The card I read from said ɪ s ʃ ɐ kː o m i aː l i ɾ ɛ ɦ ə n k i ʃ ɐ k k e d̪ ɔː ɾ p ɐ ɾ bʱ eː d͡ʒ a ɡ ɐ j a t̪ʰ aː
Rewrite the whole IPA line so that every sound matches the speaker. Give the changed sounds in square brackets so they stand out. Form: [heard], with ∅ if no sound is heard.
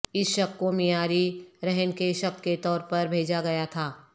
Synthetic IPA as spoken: ɪ s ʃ ɐ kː o m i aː [ɾ] i ɾ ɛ ɦ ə n k [e] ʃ ɐ k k e [t̪] ɔː ɾ p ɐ ɾ bʱ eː d͡ʒ a ɡ ɐ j a t̪ʰ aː